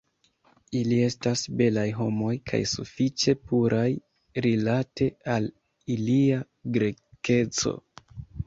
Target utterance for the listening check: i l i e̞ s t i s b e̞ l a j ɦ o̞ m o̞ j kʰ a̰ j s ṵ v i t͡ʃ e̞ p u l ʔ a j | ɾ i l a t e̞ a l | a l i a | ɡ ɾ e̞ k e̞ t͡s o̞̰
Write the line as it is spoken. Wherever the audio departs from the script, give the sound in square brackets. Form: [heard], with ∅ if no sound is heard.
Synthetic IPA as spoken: i l i e̞ s t [a] s b e̞ l a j ɦ o̞ m o̞ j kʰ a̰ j s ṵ [f] i t͡ʃ e̞ p u [ɾ] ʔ a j | ɾ i l a t e̞ a l | [i] l i a | ɡ ɾ e̞ k e̞ t͡s o̞̰